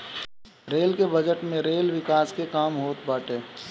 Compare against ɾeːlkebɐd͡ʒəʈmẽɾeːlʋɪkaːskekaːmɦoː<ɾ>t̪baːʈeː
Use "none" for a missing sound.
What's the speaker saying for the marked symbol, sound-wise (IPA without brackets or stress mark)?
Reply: none